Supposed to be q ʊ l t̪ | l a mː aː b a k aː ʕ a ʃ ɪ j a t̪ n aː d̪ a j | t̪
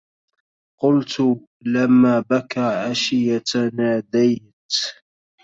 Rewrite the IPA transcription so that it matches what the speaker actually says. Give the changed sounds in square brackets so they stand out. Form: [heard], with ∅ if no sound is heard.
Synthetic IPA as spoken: q ʊ l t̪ | l a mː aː b a k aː ʕ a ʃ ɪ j a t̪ n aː d̪ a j | t̪